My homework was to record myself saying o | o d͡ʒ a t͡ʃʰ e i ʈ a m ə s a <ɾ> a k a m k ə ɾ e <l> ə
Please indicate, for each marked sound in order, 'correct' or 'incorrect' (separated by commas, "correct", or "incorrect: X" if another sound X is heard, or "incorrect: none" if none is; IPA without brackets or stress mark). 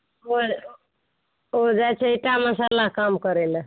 incorrect: l, correct